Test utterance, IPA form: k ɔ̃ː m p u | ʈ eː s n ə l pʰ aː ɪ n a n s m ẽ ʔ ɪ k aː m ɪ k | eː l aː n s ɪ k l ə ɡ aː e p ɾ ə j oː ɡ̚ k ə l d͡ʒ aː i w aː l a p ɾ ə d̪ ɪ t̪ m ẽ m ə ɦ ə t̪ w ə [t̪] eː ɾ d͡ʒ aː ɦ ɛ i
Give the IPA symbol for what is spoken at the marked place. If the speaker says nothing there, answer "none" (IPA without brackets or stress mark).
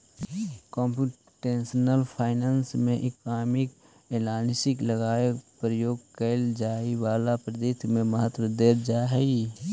d̪